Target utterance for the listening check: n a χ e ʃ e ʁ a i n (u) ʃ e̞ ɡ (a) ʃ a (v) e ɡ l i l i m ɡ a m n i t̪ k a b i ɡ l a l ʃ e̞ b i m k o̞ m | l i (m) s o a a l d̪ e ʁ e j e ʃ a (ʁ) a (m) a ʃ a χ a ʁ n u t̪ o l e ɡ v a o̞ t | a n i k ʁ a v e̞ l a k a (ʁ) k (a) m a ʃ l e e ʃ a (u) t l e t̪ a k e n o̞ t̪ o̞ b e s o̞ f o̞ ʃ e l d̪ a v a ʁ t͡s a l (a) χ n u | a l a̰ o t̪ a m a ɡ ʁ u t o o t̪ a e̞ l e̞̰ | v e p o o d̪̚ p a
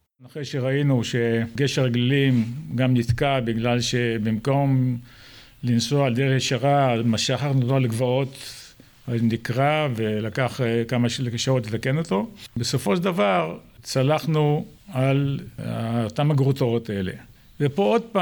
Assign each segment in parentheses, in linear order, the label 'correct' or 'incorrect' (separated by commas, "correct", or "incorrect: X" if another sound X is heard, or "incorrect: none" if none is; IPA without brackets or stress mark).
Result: correct, incorrect: e, incorrect: ʁ, incorrect: n, correct, correct, incorrect: χ, correct, incorrect: o, correct